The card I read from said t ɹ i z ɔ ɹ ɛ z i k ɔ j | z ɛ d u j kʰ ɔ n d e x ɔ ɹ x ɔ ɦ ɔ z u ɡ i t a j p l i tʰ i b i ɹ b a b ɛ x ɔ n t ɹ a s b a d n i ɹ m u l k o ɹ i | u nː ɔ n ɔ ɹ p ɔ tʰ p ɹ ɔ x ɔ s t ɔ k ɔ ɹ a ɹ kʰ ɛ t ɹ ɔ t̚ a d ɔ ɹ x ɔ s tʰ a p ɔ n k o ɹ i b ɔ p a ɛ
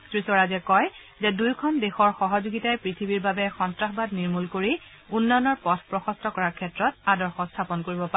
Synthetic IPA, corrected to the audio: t ɹ i s ɔ ɹ a z ɛ k ɔ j | z ɛ d u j kʰ ɔ n d e x ɔ ɹ x ɔ ɦ ɔ z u ɡ i t a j p ɹ i tʰ i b i ɹ b a b ɛ x ɔ n t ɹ a x b a d n i ɹ m u l k o ɹ i | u nː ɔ n ɔ ɹ p ɔ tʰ p ɹ ɔ x ɔ s t ɔ k ɔ ɹ a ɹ kʰ ɛ t ɹ ɔ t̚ a d ɔ ɹ x ɔ s tʰ a p ɔ n k o ɹ i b ɔ p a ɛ

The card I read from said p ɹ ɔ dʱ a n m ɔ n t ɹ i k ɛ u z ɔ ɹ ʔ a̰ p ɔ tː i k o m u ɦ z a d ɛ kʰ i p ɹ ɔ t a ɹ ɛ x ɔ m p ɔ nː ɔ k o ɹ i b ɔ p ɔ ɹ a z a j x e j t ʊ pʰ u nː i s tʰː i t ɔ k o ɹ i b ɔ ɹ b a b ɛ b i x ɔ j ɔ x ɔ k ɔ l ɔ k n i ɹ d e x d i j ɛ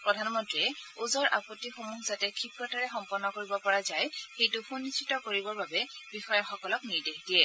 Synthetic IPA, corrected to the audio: p ɹ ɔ dʱ a n m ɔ n t ɹ i ɛ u z ɔ ɹ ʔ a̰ p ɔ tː i x o m u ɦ z a t ɛ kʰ i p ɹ ɔ t a ɹ ɛ x ɔ m p ɔ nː ɔ k o ɹ i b ɔ p ɔ ɹ a z a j x e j t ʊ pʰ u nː i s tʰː i t ɔ k o ɹ i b ɔ ɹ b a b ɛ b i x ɔ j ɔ x ɔ k ɔ l ɔ k n i ɹ d e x d i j ɛ

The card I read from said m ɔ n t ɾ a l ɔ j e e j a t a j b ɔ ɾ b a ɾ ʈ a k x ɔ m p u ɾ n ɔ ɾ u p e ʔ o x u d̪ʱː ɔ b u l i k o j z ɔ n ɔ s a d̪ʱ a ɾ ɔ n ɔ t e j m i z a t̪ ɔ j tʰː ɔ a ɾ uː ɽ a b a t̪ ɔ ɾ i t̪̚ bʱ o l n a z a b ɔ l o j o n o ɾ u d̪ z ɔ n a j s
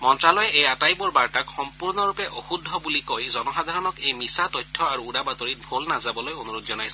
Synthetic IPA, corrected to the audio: m ɔ n t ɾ a l ɔ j e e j a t a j b ɔ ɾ b a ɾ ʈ a k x ɔ m p u ɾ n ɔ ɾ u p e ʔ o x u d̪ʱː ɔ b u l i k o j z ɔ n ɔ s a d̪ʱ a ɾ ɔ n ɔ k e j m i s a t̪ ɔ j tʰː ɔ a ɾ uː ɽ a b a t̪ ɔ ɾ i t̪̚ bʱ o l n a z a b ɔ l o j o n u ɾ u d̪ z ɔ n a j s

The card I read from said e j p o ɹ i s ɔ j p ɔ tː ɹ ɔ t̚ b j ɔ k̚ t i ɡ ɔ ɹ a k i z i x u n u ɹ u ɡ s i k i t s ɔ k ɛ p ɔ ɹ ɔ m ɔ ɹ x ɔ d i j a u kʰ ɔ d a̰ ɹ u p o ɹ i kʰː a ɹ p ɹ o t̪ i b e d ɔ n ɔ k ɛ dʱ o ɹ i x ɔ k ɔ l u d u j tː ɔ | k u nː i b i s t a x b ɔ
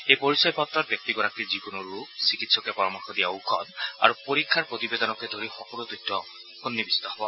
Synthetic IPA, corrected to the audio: e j p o ɹ i s ɔ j p ɔ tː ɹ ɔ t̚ b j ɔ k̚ t i ɡ ɔ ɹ a k i z i k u n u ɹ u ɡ s i k i t s ɔ k ɛ p ɔ ɹ ɔ m ɔ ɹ x ɔ d i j a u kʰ ɔ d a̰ ɹ u p o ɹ i kʰː a ɹ p ɹ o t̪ i b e d ɔ n ɔ k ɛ dʱ o ɹ i x ɔ k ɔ l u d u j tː ɔ | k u nː i b i s t a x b ɔ

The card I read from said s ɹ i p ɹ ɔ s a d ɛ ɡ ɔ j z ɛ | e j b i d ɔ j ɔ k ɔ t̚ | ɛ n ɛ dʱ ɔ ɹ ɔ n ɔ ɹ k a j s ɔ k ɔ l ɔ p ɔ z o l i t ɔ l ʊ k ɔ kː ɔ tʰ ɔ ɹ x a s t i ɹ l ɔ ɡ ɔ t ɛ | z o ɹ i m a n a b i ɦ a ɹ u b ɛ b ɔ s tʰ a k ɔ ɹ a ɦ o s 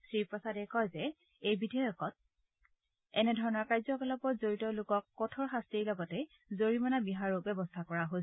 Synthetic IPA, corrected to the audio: s ɹ i p ɹ ɔ s a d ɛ k ɔ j z ɛ | e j b i d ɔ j ɔ k ɔ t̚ | ɛ n ɛ dʱ ɔ ɹ ɔ n ɔ ɹ k a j z ɔ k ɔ l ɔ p ɔ z o ɹ i t ɔ l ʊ k ɔ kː ɔ tʰ ɔ ɹ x a s t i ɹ l ɔ ɡ ɔ t ɛ | z o ɹ i m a n a b i ɦ a ɹ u b ɛ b ɔ s tʰ a k ɔ ɹ a ɦ o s

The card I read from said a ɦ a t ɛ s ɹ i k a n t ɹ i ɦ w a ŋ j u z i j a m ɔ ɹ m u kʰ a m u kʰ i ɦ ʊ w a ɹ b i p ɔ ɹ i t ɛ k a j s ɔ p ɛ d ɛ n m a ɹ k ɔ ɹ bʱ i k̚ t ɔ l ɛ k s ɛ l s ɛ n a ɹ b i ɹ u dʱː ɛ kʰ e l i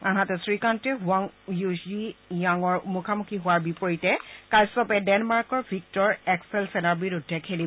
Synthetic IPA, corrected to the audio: a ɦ a t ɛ s ɹ i k a n t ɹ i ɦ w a ŋ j u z i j a ŋ ɔ ɹ m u kʰ a m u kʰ i ɦ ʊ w a ɹ b i p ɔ ɹ i t ɛ k a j s ɔ p ɛ d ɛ n m a ɹ k ɔ ɹ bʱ i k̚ t ɔ ɹ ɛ k s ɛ l s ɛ n a ɹ b i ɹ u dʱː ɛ kʰ e l i

